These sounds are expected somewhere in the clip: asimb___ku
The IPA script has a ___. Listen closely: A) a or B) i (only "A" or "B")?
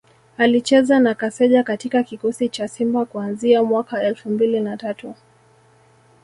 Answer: A